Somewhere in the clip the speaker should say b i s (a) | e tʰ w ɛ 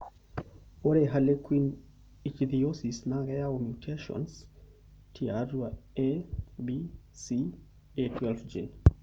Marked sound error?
yes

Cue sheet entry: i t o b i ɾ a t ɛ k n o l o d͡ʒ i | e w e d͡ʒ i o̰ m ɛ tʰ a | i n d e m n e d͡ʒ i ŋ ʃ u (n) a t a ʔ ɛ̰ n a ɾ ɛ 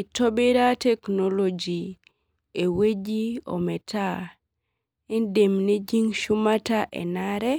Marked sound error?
yes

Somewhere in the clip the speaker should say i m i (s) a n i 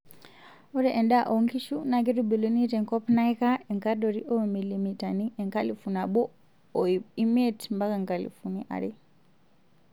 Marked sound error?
yes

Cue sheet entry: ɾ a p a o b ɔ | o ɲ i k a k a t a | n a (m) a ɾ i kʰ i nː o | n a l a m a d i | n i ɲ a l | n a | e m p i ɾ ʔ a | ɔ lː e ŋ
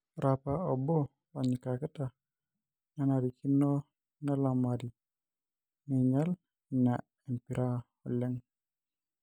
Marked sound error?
yes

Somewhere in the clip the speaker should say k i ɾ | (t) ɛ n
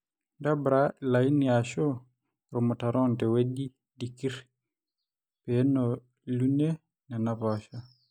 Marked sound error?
yes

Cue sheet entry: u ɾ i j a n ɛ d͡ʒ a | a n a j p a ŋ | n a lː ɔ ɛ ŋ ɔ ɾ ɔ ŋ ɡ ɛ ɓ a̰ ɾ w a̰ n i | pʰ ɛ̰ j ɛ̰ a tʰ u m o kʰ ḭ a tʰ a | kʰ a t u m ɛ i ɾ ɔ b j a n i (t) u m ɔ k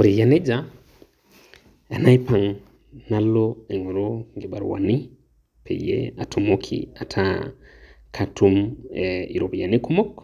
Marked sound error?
yes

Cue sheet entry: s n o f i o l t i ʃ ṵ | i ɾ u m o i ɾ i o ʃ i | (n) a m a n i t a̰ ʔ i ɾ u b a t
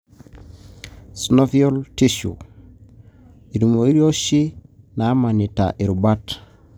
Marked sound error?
no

